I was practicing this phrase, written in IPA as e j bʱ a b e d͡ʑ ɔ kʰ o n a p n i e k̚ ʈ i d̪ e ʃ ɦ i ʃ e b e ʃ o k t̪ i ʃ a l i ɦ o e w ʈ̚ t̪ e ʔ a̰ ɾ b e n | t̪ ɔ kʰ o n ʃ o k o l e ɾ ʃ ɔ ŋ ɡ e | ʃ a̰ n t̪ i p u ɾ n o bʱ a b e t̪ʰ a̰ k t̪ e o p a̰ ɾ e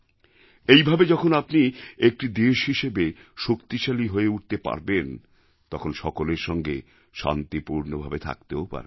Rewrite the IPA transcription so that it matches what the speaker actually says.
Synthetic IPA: e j bʱ a b e d͡ʑ ɔ kʰ o n a p n i e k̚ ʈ i d̪ e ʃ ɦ i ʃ e b e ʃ o k t̪ i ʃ a l i ɦ o e u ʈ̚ t̪ e p a̰ ɾ b e n | t̪ ɔ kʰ o n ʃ ɔ k o l e ɾ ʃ ɔ ŋ ɡ e | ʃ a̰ n t̪ i p u ɾ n o bʱ a b e t̪ʰ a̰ k t̪ e o p a̰ ɾ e